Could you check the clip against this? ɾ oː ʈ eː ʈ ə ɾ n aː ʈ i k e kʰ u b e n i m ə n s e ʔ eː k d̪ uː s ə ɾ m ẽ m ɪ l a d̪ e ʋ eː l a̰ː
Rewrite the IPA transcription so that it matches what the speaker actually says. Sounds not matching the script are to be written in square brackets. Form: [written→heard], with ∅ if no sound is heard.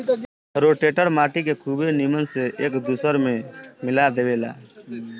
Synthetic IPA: ɾ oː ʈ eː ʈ ə ɾ [n→m] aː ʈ i k e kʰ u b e n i m ə n s e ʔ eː k d̪ uː s ə ɾ m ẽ m ɪ l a d̪ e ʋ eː l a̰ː